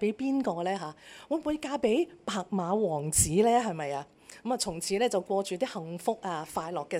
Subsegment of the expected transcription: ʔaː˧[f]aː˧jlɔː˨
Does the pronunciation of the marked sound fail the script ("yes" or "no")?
no